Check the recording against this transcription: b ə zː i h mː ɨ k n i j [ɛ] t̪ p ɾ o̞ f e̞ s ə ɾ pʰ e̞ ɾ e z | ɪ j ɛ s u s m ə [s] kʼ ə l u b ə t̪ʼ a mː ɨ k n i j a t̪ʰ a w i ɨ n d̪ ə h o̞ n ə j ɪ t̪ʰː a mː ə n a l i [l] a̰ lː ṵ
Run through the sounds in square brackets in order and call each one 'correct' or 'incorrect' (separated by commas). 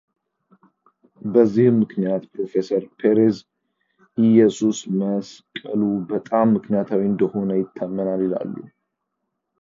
incorrect, correct, correct